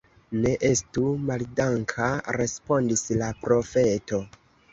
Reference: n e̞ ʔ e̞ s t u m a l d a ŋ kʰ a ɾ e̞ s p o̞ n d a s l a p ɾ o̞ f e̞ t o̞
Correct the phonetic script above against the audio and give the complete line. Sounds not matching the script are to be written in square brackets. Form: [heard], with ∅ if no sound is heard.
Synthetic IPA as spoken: n e̞ ʔ e̞ s t u m a l d a ŋ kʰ a ɾ e̞ s p o̞ n d [i] s l a p ɾ o̞ f e̞ t o̞

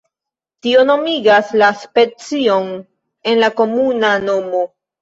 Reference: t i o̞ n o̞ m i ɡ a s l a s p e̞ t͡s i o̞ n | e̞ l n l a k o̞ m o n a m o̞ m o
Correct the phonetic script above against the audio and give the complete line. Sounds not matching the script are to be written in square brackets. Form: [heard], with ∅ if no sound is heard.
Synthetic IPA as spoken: t i o̞ n o̞ m i ɡ a s l a s p e̞ t͡s i o̞ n | e̞ [∅] n l a k o̞ m [u] n a [n] o̞ m o

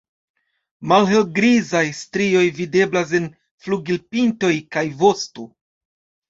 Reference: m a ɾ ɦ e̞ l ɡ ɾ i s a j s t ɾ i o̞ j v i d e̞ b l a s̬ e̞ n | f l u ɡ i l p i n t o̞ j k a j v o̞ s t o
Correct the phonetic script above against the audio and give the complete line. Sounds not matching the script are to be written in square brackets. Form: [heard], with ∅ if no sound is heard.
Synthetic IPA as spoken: m a [l] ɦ e̞ l ɡ ɾ i [z] a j s t ɾ i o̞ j v i d e̞ b l a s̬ e̞ n | f l u ɡ i l p i n t o̞ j k a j v o̞ s t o

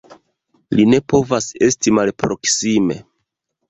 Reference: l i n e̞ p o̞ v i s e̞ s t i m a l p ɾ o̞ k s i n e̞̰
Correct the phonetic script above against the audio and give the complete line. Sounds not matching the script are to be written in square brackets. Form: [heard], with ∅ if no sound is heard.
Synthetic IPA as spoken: l i n e̞ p o̞ v [a] s e̞ s t i m a l p ɾ o̞ k s i [m] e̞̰

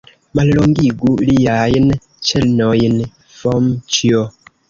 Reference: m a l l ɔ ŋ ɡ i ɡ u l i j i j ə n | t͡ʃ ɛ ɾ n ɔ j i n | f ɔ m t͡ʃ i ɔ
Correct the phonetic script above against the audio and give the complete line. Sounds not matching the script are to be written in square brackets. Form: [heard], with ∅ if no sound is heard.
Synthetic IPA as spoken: m a l l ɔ ŋ ɡ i ɡ u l i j [a] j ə n | t͡ʃ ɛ [l] n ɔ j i n | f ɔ m t͡ʃ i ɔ

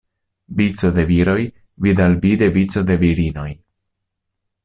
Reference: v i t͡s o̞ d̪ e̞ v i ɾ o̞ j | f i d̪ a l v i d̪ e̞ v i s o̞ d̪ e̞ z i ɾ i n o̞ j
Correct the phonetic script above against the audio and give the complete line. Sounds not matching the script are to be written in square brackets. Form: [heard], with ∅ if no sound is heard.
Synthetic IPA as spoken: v i t͡s o̞ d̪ e̞ v i ɾ o̞ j | [v] i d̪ a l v i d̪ e̞ v i [t͡s] o̞ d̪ e̞ [v] i ɾ i n o̞ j

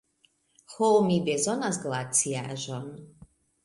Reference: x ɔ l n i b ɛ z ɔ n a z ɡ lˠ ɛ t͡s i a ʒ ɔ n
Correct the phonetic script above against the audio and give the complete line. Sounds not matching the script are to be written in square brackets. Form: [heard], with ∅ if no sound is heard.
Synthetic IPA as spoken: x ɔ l [m] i b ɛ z ɔ n a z ɡ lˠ [a] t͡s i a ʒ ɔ n

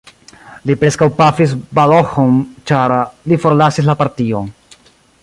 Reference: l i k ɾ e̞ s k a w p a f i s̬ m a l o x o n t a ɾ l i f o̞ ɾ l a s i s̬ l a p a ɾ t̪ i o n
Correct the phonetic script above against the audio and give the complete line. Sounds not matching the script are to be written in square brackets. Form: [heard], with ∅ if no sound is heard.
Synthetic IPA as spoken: l i [p] ɾ e̞ s k a w p a f i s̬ [b] a l o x o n [t͡ʃ] a ɾ l i f o̞ ɾ l a s i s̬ l a p a ɾ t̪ i o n

